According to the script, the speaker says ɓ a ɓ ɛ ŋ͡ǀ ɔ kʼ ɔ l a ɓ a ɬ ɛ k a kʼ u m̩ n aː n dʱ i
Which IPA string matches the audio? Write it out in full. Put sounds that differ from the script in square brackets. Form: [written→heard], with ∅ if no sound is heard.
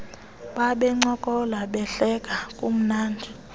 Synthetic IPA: ɓ a ɓ ɛ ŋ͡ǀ ɔ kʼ ɔ l a ɓ [a→ɛ] ɬ ɛ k a kʼ u m̩ n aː n dʱ i